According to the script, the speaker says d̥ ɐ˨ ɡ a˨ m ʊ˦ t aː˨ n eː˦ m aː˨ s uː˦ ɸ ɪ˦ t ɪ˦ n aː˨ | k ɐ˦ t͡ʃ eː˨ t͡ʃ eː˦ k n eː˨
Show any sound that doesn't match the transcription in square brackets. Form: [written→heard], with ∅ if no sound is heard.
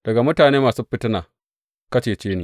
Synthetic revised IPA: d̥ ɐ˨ ɡ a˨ m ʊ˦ t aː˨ n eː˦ m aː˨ s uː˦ ɸ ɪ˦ t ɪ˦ n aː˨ | k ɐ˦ t͡ʃ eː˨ t͡ʃ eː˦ [k→∅] n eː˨